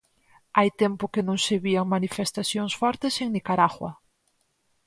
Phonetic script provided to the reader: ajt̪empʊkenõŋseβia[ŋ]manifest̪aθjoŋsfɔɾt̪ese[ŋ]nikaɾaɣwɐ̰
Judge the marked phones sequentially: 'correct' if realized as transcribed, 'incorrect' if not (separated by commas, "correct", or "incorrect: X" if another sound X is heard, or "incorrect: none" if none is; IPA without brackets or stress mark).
correct, correct